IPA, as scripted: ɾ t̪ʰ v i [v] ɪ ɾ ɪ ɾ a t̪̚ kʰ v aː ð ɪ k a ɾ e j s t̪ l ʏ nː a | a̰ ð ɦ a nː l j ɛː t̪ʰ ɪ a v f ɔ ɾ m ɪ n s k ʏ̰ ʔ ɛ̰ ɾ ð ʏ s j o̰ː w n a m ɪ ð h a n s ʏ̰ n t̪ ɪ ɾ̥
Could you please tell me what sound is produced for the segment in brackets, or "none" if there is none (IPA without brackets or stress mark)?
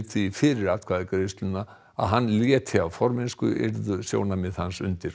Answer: f